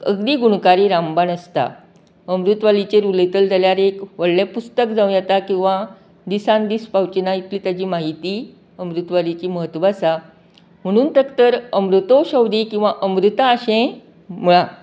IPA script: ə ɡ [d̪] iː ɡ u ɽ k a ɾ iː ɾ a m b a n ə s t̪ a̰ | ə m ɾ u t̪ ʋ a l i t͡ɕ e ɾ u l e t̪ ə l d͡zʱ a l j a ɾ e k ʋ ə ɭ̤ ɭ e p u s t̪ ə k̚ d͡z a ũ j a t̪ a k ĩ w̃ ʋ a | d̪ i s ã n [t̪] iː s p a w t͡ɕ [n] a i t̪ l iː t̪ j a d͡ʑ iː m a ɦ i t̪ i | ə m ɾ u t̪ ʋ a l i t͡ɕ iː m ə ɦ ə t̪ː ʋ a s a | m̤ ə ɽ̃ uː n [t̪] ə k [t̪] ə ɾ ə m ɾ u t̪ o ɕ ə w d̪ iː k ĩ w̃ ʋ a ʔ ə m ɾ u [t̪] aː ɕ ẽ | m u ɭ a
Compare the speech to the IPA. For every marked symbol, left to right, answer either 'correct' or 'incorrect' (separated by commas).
correct, incorrect, correct, correct, correct, correct